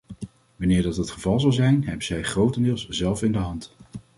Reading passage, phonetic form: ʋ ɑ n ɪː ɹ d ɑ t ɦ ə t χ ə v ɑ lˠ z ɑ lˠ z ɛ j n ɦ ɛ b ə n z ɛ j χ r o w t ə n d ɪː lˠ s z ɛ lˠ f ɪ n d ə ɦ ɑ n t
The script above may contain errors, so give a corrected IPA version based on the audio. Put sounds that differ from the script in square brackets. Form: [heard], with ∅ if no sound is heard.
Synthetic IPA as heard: ʋ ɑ n ɪː ɹ d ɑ t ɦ ə t χ ə v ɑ lˠ z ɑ lˠ z ɛ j n ɦ ɛ b ə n z ɛ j χ r o w t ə n d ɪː lˠ s z ɛ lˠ f ɪ n d ə ɦ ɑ n t